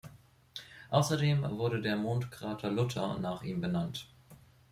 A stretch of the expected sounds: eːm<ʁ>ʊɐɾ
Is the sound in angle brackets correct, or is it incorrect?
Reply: incorrect: v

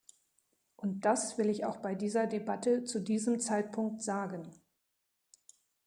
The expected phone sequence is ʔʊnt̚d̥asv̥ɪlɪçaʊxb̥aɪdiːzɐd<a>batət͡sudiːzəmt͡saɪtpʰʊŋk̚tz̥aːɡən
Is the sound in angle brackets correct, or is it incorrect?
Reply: incorrect: e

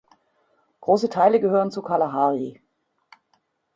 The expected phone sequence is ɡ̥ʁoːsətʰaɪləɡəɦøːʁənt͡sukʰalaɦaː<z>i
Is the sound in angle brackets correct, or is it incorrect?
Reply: incorrect: ʁ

